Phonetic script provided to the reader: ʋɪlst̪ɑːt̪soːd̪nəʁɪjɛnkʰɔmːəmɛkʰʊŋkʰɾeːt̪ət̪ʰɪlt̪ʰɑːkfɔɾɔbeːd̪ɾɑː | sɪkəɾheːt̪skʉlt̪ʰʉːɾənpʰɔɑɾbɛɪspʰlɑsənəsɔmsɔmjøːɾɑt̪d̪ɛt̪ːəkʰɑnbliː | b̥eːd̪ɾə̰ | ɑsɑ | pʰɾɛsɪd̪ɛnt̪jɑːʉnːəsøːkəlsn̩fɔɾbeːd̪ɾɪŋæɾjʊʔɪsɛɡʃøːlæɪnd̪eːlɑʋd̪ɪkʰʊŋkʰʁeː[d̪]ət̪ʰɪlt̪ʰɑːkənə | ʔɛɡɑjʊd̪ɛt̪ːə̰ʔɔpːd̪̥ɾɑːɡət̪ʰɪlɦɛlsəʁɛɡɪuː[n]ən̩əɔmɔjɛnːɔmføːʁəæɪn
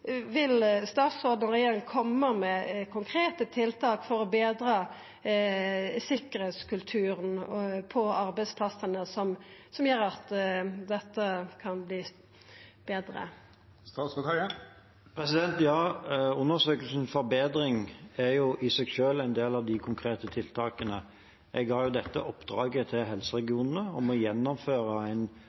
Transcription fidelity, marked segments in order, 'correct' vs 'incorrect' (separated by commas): incorrect, correct